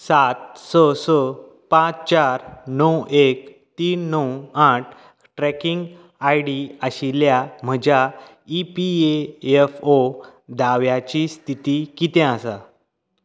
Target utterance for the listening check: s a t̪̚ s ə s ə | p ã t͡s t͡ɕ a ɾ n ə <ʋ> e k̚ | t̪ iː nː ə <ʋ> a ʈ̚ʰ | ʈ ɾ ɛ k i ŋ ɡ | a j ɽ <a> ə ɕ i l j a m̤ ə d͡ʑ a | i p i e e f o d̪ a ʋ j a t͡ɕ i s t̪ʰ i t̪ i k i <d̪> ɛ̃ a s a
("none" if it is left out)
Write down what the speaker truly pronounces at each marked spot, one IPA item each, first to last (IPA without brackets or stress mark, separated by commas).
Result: w, w, i, t̪